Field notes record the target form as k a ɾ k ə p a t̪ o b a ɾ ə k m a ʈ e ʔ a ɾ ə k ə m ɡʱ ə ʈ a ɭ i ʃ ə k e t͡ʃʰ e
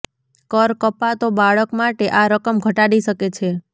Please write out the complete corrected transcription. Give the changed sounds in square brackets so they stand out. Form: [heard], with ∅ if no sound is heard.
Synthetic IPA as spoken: k [ə] ɾ k ə p a t̪ o b a [ɭ] ə k m a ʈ e ʔ a ɾ ə k ə m ɡʱ ə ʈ a [ɽ] i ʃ ə k e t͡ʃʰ e